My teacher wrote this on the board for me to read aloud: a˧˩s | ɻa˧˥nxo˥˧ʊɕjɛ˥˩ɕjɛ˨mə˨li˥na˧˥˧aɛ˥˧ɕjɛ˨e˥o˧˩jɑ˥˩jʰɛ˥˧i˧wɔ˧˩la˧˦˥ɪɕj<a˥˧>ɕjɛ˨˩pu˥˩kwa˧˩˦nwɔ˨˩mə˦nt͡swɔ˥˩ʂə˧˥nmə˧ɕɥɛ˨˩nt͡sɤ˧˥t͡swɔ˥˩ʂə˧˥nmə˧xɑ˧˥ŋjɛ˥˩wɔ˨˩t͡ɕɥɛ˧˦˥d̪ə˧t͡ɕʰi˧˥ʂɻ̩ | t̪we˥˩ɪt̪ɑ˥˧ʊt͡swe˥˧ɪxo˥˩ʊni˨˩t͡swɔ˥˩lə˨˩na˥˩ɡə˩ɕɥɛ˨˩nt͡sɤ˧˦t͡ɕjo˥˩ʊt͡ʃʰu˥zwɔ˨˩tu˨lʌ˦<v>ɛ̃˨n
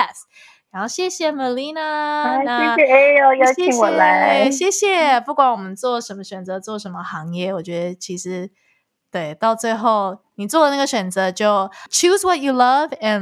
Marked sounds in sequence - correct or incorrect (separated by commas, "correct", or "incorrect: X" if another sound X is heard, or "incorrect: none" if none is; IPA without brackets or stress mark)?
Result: incorrect: ɛ˥˧, correct